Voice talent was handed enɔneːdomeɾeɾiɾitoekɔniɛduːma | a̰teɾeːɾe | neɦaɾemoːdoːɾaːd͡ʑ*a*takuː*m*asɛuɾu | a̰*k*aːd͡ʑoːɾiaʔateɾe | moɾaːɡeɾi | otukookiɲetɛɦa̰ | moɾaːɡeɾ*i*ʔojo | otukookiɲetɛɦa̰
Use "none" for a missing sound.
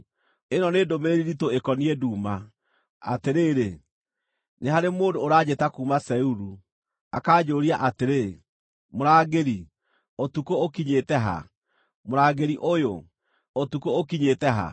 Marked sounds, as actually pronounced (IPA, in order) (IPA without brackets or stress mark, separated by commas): e, m, k, i